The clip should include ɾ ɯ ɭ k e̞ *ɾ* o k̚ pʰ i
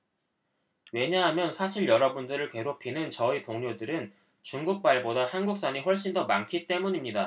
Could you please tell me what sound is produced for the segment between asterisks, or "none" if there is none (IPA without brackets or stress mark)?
ɾ